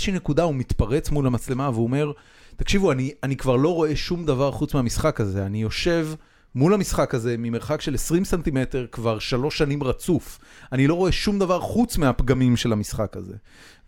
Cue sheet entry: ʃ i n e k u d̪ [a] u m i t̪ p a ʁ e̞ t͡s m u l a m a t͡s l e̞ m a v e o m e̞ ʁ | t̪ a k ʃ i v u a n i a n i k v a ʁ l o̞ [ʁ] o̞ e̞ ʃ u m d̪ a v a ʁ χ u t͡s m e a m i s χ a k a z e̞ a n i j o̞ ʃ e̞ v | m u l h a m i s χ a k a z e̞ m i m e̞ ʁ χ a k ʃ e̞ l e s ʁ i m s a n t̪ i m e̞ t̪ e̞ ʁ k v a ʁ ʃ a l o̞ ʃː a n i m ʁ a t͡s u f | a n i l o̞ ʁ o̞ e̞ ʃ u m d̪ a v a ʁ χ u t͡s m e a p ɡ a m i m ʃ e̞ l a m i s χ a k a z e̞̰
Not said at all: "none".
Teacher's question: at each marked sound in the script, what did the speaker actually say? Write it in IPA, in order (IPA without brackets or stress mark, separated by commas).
a, ʁ